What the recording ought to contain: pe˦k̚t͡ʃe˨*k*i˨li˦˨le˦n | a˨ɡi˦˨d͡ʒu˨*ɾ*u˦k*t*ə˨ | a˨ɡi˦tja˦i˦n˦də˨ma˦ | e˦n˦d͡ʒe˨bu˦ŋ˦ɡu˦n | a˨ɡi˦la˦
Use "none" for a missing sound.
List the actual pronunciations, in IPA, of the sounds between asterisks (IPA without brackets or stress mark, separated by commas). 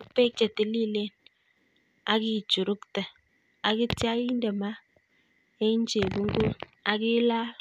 t, ɾ, t